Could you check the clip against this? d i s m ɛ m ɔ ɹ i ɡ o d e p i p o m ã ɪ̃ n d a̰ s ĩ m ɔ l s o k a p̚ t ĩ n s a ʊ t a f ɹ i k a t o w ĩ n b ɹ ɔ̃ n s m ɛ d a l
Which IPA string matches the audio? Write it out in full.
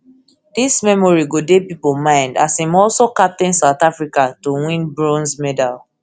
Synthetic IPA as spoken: d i s m ɛ m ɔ ɹ i ɡ o d e p i p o m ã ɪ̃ n d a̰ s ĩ m ɔ l s o k a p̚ t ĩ n s a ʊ t a f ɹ i k a t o w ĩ n b ɹ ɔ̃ n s m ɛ d a l